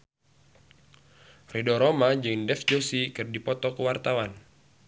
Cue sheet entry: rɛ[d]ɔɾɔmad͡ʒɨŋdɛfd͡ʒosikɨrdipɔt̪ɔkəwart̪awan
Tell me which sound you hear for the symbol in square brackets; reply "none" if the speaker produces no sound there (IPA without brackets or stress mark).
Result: d